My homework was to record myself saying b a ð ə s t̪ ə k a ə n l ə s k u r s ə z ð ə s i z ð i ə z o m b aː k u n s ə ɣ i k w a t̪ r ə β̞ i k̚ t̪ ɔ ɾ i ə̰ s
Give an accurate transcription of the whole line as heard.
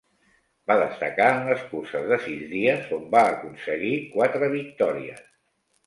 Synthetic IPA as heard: b a ð ə s t̪ ə k a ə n l ə s k u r s ə z ð ə s i z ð i ə z o m b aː k u n s ə ɣ i k w a t̪ ɾ ə β̞ i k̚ t̪ ɔ ɾ i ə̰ s